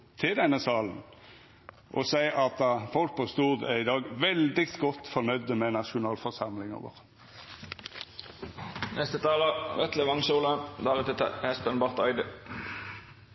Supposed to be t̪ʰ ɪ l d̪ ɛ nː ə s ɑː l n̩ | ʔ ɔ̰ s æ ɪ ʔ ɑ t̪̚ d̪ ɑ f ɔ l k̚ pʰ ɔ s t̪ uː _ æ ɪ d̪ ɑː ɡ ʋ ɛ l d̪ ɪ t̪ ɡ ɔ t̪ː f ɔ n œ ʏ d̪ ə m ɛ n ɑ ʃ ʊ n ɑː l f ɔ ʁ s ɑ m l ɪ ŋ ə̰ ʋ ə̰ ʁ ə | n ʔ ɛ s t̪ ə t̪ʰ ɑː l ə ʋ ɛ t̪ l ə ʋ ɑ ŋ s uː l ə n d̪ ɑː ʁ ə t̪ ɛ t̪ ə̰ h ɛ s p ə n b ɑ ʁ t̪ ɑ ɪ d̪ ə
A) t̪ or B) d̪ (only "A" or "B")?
B